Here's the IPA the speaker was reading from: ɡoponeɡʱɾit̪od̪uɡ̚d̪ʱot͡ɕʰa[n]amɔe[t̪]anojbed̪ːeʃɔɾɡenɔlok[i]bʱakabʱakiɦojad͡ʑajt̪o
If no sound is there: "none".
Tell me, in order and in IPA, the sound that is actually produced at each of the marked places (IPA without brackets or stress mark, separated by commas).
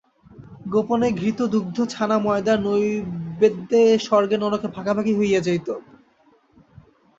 n, d̪, e